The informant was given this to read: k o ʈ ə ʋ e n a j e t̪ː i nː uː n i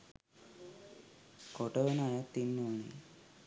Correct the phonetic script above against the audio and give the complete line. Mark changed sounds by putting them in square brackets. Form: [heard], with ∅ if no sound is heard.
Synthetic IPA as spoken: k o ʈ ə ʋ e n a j [a] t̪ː i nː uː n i